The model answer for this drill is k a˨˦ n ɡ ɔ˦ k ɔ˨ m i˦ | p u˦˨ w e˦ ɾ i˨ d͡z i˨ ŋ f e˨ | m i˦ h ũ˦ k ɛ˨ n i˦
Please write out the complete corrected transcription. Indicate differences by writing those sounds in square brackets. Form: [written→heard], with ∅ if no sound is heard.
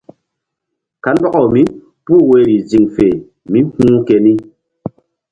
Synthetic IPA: k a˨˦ n [ɡ→b] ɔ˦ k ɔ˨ m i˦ | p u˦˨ w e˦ ɾ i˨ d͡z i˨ ŋ f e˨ | m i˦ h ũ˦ k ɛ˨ n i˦